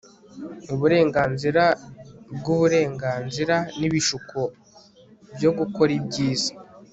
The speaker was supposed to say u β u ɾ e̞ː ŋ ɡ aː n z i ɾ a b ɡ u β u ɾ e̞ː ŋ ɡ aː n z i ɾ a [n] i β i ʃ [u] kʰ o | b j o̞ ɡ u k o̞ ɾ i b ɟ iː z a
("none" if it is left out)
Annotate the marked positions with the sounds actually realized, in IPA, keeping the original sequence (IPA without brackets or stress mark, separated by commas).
n, u